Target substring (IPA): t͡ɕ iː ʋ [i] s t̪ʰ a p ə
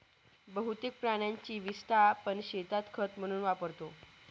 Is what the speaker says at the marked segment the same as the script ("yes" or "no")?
yes